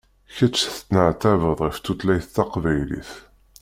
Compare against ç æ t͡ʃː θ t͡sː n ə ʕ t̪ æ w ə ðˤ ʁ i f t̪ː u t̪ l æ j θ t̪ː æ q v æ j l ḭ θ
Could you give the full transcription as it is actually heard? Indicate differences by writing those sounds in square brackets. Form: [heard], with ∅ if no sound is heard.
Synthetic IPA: ç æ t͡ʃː θ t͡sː n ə ʕ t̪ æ [v] ə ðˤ ʁ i f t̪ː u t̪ l æ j θ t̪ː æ q v æ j l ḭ θ